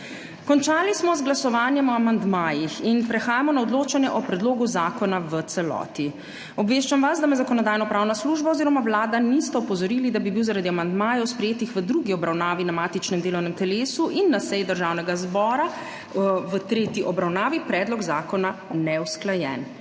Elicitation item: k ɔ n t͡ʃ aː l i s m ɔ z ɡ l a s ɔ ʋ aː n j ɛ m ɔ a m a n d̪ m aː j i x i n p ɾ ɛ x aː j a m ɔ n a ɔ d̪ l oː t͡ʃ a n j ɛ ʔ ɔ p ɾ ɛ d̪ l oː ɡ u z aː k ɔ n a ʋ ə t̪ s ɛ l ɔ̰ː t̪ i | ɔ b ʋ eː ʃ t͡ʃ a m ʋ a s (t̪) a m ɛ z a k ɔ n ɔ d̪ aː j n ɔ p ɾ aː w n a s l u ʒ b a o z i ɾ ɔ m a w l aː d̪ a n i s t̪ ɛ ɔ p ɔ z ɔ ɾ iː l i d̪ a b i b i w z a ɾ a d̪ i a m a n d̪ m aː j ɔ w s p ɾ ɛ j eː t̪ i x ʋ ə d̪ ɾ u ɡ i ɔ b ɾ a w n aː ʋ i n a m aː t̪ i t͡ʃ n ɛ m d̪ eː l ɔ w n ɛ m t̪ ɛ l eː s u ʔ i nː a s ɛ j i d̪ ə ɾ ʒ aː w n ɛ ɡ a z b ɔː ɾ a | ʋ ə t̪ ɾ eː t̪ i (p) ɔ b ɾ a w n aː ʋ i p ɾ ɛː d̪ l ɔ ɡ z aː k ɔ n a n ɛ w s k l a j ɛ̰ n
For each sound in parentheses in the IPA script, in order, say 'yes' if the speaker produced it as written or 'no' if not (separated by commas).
no, no